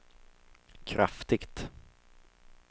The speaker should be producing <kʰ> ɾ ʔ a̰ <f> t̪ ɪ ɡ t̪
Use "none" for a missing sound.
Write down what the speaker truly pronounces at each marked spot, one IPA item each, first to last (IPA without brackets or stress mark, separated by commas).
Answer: kʰ, f